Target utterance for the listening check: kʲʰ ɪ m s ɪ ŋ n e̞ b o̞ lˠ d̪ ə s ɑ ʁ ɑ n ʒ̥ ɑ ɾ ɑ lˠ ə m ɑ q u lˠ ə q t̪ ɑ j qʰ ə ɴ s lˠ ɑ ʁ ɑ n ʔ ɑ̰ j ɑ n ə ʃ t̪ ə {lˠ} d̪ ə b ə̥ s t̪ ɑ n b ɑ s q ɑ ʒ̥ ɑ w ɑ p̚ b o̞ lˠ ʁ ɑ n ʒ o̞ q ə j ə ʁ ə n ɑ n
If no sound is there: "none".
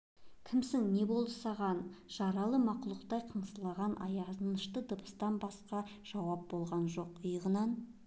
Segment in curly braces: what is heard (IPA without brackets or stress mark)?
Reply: none